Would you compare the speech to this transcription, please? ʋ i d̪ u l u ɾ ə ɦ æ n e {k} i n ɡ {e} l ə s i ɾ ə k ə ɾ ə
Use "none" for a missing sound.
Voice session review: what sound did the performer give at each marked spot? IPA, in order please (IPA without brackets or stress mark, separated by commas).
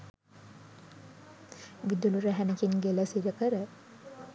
k, e